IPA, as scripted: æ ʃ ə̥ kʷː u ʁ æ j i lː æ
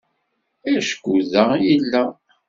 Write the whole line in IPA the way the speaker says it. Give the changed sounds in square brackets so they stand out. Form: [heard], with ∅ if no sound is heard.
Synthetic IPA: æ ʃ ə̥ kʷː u [ð] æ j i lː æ